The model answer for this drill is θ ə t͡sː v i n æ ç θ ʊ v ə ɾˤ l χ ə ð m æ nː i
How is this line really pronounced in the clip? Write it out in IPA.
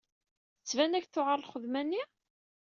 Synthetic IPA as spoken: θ ə t͡sː v æ n æ ç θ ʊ ʁ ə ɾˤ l χ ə ð m æ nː i

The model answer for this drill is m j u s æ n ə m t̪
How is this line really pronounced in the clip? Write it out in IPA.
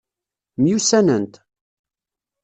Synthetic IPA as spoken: m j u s æ n ə n t̪

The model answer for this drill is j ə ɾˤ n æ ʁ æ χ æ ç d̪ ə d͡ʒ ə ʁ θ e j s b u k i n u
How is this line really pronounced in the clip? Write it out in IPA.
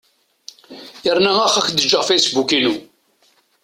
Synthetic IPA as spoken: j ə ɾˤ n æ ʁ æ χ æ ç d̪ ə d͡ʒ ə ʁ f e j s b u k i n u

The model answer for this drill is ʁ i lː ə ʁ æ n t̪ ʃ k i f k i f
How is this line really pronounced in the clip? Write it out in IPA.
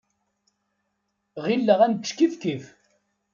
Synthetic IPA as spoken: ʁ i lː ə ʁ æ n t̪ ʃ k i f k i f

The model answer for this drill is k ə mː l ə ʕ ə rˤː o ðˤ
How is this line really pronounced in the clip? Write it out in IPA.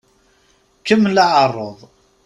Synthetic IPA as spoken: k ə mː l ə ʕ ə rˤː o ðˤ

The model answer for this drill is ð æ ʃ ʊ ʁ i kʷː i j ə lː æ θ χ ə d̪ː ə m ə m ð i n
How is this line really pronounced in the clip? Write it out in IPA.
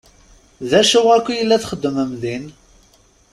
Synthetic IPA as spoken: ð æ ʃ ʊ ʁ æ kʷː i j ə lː æ θ χ ə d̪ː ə m ə m ð i n

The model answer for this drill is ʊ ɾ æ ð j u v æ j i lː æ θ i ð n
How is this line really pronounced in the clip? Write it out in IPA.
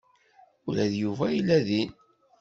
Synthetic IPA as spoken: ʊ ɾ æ ð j u v æ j i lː æ ð i n

